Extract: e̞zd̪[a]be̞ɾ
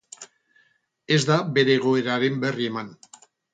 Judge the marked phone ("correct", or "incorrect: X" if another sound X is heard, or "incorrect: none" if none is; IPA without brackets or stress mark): correct